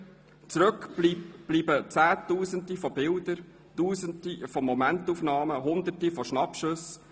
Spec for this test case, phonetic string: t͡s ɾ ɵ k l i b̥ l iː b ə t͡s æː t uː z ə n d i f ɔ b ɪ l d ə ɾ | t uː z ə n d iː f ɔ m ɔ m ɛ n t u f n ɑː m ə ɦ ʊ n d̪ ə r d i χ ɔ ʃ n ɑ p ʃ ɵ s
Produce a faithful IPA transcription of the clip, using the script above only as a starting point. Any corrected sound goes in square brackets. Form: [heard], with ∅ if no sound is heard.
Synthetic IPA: t͡s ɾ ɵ k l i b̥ l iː b ə t͡s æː t uː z ə n d i f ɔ b ɪ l d ə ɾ | t uː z ə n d [i] f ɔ m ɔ m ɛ n t u f n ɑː m ə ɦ ʊ n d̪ ə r [t] i [f] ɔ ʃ n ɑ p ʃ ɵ s